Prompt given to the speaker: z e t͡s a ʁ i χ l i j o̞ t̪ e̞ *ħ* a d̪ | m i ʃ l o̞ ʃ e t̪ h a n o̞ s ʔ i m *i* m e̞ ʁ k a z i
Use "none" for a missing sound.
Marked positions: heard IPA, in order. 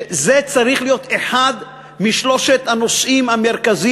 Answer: ħ, a

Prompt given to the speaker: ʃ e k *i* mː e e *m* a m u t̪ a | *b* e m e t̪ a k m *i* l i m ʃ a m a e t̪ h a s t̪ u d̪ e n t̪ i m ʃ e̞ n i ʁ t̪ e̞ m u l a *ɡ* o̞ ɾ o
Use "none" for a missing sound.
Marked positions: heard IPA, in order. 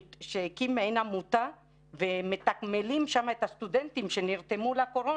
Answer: i, n, v, e, k

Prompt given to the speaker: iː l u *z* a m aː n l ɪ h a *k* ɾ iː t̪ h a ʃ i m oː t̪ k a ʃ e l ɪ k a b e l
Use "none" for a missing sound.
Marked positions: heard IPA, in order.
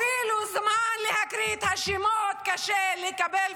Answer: z, k

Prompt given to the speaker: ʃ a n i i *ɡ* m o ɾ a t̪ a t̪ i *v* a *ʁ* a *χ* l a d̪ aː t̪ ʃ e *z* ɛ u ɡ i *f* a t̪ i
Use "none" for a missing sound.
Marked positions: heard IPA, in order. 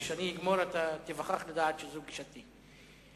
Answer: ɡ, v, χ, χ, z, ʃ

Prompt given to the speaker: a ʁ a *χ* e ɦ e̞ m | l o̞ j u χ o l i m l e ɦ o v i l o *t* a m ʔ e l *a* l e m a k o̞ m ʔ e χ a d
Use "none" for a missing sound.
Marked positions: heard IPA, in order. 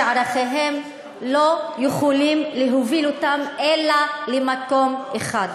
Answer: χ, t, a

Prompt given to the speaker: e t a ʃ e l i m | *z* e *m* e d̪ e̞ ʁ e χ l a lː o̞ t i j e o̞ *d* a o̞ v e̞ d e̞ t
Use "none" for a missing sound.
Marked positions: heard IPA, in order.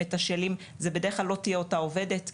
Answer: z, b, t

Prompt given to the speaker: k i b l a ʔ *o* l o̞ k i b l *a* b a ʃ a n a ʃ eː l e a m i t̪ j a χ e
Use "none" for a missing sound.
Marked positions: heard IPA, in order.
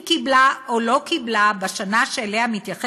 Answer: o, a

